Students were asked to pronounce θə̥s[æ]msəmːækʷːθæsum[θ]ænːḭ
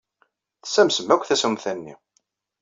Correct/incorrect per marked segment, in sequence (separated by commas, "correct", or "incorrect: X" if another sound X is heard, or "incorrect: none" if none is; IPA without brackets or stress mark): correct, correct